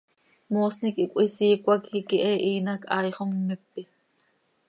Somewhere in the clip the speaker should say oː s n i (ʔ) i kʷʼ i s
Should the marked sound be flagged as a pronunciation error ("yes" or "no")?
yes